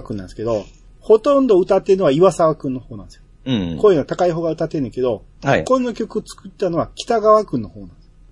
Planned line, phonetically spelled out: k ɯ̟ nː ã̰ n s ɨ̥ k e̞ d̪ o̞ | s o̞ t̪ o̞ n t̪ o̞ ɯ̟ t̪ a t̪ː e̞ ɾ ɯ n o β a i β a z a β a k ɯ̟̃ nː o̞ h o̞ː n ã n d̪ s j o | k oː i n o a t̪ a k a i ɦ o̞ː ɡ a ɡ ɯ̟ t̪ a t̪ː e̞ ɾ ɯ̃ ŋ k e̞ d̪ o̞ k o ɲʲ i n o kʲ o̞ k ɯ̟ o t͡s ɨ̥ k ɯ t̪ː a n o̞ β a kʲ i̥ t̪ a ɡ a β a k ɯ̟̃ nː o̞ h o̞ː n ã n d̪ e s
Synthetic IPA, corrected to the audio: k ɯ̟ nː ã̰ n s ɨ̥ k e̞ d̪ o̞ | h o̞ t̪ õ̞ n d̪ o̞ ɯ̟ t̪ a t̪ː e̞ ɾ ɯ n o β a i β a s a β a k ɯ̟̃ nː o̞ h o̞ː n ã n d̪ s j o | k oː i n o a t̪ a k a i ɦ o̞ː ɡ a ɯ̟ t̪ a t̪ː e̞ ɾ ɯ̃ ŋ k e̞ d̪ o̞ k o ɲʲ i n o kʲ o̞ k ɯ̟ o t͡s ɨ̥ k ɯ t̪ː a n o̞ β a kʲ i̥ t̪ a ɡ a β a k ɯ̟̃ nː o̞ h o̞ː n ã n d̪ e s